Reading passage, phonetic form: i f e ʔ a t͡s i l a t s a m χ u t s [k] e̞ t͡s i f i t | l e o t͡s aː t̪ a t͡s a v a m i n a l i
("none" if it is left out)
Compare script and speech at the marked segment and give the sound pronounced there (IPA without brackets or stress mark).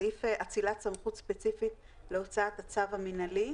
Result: p